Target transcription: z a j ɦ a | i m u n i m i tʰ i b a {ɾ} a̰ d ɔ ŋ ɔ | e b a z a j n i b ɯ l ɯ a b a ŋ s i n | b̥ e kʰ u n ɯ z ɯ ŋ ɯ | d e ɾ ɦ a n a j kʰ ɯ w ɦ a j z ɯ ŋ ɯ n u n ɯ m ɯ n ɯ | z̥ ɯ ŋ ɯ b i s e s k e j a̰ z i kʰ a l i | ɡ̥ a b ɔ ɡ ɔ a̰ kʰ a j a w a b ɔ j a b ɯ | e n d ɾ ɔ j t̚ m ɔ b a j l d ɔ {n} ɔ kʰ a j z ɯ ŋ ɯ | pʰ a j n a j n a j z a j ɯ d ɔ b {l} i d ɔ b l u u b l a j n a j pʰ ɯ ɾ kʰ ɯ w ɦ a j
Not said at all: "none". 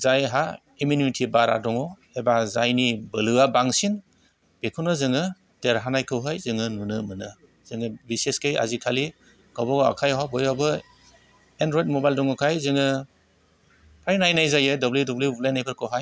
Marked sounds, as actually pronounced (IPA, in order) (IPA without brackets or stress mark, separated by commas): ɾ, ŋ, l